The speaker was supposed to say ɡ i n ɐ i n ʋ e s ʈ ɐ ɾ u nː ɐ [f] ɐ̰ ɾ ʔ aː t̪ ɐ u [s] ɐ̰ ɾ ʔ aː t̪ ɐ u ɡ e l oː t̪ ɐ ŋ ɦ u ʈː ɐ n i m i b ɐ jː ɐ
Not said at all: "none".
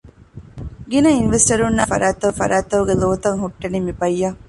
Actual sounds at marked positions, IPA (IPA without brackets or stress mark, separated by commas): f, f